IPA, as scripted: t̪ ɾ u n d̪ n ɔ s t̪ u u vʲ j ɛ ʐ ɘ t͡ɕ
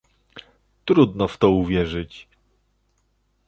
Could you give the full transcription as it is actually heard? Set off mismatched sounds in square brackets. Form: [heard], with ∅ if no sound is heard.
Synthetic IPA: t̪ ɾ u [∅] d̪ n ɔ [f] t̪ [ɔ] u vʲ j ɛ ʐ ɘ t͡ɕ